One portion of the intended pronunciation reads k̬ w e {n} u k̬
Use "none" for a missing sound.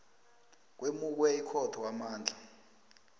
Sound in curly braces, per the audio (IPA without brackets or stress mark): m